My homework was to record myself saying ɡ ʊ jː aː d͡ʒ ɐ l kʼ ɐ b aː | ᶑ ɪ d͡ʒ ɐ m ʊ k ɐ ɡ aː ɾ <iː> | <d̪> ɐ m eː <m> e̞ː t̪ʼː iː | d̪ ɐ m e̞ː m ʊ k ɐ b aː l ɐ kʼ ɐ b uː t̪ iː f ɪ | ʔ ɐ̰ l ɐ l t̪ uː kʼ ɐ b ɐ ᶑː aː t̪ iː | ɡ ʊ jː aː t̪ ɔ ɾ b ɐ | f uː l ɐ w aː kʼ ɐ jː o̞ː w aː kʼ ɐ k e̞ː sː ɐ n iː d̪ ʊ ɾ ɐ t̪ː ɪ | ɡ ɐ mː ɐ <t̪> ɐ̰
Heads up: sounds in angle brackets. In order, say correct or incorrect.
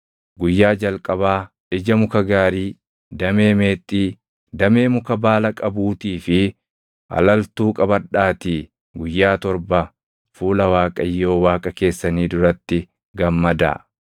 correct, correct, correct, incorrect: d̪

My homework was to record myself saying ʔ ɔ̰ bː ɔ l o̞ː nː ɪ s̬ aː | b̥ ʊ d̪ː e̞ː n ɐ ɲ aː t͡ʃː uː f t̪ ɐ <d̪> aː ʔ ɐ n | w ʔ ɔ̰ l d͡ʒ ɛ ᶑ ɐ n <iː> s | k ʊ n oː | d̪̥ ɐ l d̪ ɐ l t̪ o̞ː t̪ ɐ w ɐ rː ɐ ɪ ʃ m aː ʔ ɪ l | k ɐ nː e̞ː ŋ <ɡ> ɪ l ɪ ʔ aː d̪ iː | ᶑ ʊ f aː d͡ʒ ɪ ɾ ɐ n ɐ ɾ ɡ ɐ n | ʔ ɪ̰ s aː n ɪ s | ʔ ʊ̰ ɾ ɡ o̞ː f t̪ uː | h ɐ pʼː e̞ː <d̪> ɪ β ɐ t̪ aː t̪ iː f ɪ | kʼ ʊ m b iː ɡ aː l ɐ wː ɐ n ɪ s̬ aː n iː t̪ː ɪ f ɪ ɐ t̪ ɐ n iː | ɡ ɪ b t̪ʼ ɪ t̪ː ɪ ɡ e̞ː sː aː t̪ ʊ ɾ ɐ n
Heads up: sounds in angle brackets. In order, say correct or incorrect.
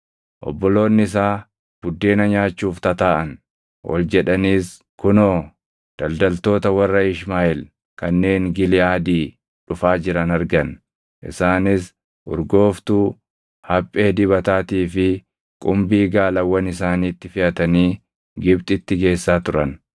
incorrect: t̪, correct, correct, correct

